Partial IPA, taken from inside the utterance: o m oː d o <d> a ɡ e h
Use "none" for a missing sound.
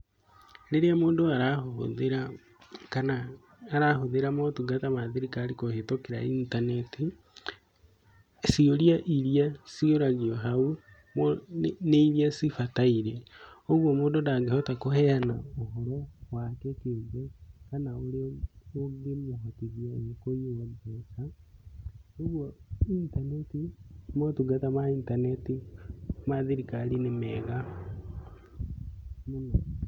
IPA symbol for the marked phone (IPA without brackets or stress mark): d